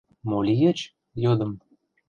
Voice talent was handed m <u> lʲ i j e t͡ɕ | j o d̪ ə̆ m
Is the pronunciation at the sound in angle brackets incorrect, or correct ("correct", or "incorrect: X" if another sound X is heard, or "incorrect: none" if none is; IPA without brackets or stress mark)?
incorrect: o